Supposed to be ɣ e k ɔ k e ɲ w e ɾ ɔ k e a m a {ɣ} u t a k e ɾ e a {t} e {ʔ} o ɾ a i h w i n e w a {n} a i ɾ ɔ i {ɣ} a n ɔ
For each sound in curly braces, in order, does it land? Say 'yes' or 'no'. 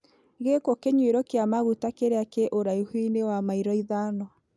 yes, no, yes, no, no

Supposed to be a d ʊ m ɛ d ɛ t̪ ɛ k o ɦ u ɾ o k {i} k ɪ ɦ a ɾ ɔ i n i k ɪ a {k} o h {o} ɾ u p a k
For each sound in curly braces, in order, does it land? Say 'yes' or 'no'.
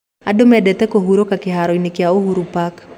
no, no, no

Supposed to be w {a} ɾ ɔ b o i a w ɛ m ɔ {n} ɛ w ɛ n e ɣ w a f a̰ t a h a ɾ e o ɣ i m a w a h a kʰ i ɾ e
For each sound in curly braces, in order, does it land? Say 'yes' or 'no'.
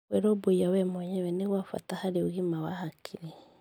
no, no

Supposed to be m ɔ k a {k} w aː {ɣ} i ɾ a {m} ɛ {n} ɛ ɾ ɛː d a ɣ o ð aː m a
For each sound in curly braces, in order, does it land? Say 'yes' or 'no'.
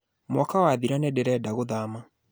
no, no, no, no

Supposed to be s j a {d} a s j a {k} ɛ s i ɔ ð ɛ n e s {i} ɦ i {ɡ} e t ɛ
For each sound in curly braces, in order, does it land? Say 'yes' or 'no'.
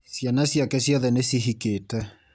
no, yes, yes, no

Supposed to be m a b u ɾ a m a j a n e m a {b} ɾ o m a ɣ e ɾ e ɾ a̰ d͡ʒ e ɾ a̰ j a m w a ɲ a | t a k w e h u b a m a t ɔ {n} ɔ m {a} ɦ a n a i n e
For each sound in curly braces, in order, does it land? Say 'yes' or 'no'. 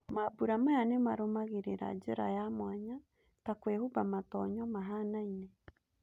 no, no, yes

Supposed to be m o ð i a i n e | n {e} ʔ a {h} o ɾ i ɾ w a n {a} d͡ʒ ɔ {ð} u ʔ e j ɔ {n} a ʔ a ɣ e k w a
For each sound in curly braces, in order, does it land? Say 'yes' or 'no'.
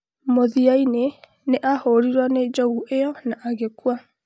yes, yes, no, no, yes

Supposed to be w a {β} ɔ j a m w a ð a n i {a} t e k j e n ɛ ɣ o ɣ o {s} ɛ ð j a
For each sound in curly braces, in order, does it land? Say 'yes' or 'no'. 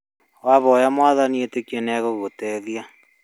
yes, no, no

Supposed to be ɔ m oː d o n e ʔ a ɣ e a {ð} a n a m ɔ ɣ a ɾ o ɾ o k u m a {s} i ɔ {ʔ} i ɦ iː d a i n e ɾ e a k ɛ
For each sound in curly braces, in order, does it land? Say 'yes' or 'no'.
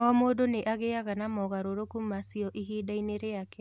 no, yes, yes

